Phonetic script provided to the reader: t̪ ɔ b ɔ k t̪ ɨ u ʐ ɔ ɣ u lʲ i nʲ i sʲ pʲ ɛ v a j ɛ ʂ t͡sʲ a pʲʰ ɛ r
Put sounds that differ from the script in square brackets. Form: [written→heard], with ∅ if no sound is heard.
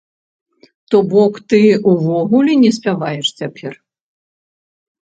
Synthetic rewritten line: t̪ ɔ b ɔ k t̪ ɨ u [ʐ→v] ɔ ɣ u lʲ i nʲ [i→ɛ] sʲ pʲ [ɛ→a] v a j ɛ ʂ t͡sʲ a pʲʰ ɛ r